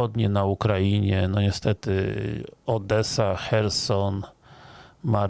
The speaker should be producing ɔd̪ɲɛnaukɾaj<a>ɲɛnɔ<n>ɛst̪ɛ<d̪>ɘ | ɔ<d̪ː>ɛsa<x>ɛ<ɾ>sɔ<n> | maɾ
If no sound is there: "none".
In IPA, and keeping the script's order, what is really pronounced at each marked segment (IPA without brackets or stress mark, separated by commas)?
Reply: i, ɲ, t̪, d̪, x, ɾ, n